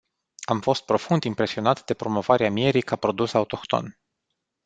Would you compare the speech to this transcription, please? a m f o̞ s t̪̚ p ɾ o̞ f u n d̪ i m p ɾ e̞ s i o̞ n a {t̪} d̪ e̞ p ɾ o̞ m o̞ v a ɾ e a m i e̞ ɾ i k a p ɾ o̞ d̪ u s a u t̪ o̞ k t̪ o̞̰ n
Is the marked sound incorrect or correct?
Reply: correct